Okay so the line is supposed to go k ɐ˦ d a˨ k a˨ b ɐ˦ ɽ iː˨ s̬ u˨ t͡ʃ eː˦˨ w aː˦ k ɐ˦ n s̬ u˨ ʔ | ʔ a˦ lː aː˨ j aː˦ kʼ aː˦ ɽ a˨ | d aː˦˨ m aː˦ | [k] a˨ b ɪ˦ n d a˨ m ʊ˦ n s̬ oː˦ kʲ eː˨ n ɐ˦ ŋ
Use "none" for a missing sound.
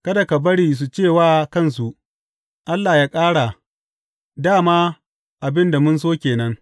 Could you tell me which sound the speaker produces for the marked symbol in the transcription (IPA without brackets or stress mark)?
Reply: ʔ